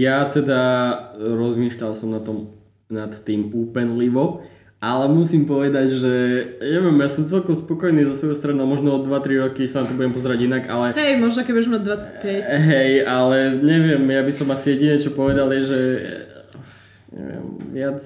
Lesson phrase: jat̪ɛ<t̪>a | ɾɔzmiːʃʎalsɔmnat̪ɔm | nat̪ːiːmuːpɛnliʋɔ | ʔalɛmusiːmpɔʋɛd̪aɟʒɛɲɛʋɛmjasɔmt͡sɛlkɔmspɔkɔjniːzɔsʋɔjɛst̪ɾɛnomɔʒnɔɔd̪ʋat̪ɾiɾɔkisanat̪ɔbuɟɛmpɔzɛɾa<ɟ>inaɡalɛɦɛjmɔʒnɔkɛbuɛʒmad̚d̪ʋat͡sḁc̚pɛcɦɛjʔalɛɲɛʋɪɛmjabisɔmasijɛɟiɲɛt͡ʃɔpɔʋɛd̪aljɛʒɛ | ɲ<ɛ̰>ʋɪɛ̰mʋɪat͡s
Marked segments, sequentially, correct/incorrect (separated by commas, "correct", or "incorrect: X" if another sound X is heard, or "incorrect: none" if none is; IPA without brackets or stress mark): incorrect: d̪, correct, correct